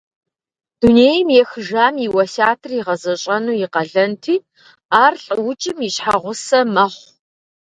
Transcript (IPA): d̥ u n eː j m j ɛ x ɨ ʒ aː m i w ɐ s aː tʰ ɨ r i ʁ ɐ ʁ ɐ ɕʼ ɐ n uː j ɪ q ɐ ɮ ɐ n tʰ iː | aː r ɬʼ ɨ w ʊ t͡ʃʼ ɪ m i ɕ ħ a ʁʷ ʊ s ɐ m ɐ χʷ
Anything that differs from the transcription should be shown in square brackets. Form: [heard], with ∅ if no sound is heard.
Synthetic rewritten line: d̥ u n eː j m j ɛ x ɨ ʒ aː m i w ɐ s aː tʰ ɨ r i ʁ ɐ [z] ɐ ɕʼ ɐ n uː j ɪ q ɐ ɮ ɐ n tʰ iː | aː r ɬʼ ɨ w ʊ t͡ʃʼ ɪ m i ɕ ħ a ʁʷ ʊ s ɐ m ɐ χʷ

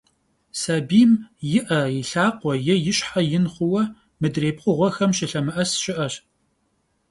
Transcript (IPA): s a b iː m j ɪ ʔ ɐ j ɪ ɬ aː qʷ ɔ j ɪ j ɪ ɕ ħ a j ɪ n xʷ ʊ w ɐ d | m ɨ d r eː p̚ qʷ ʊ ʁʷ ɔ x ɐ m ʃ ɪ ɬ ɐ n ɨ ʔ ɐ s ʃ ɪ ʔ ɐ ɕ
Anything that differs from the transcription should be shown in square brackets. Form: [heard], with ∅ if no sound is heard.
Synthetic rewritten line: s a b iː m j ɪ ʔ ɐ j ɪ ɬ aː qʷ ɔ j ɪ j ɪ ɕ ħ a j ɪ n [χʷ] ʊ w ɐ [∅] | m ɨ d r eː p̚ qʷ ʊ ʁʷ ɔ x ɐ m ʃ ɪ ɬ ɐ [m] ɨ ʔ ɐ s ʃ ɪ ʔ ɐ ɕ

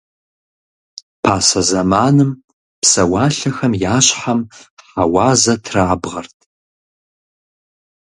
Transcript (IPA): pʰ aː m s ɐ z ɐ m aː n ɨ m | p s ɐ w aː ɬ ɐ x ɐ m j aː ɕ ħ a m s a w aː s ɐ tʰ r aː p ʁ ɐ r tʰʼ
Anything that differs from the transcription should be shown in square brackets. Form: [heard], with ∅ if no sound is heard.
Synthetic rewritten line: pʰ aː [∅] s ɐ z ɐ m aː n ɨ m | p s ɐ w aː ɬ ɐ x ɐ m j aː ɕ ħ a m [ħ] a w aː [z] ɐ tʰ r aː [b] ʁ ɐ r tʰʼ

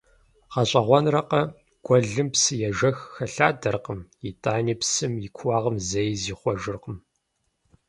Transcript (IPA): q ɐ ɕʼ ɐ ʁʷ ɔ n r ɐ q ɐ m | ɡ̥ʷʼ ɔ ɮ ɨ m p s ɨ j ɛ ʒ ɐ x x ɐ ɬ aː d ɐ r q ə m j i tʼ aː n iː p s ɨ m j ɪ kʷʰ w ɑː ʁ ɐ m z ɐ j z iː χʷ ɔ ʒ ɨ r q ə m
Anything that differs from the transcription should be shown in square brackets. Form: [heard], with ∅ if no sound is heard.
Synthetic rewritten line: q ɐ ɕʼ ɐ ʁʷ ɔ n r ɐ q ɐ [∅] | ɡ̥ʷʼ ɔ ɮ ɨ m p s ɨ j ɛ ʒ ɐ x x ɐ ɬ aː d ɐ r q ə m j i tʼ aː n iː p s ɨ m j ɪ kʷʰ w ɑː ʁ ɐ m z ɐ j z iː χʷ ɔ ʒ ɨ r q ə m

